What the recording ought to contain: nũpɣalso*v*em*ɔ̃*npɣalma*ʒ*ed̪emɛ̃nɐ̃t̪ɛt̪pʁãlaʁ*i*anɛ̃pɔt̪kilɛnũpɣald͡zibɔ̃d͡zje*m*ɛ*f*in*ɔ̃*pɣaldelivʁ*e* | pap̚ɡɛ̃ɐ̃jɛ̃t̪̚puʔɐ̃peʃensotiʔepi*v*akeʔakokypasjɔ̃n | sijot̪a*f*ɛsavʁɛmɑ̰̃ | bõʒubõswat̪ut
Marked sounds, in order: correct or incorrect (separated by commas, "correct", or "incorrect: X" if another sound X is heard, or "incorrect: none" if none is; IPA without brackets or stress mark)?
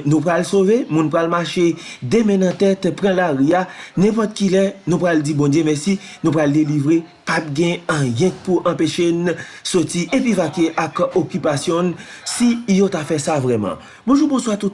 correct, incorrect: ũ, incorrect: ʃ, correct, correct, incorrect: s, incorrect: ũ, correct, correct, correct